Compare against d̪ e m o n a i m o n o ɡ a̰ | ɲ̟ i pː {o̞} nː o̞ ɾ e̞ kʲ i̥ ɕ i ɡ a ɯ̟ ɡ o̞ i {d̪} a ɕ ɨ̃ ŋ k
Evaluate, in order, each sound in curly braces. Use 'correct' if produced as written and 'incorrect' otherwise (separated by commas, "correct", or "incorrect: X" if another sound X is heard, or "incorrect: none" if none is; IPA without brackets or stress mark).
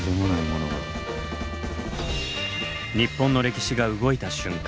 incorrect: õ̞, incorrect: t̪